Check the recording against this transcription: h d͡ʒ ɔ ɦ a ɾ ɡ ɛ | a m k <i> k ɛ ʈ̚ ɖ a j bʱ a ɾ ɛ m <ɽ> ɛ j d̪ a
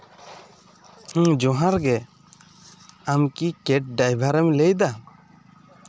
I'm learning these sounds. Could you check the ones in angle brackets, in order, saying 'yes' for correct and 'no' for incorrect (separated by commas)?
yes, no